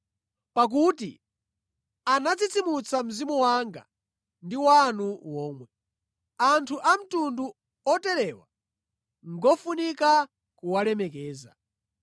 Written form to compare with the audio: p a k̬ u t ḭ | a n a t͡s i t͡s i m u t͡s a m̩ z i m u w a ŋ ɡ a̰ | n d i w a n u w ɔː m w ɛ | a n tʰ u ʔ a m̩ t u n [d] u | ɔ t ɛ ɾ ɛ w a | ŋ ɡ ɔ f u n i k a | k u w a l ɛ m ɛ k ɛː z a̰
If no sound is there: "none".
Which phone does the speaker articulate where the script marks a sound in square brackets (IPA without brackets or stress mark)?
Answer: d